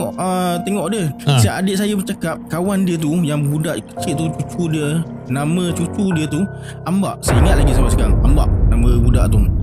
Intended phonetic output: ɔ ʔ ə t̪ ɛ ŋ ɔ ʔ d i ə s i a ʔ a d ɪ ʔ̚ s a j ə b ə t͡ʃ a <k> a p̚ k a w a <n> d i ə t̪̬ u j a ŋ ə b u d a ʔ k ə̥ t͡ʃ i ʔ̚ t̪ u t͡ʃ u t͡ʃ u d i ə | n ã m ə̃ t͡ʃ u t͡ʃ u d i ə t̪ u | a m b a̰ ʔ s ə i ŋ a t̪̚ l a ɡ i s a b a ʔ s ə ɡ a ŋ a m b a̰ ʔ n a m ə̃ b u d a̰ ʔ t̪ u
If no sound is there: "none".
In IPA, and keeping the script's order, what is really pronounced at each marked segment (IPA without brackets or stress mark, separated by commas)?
k, n